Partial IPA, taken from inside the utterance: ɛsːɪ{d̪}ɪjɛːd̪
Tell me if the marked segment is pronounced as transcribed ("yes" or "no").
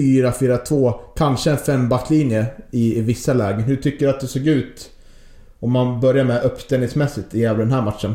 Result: no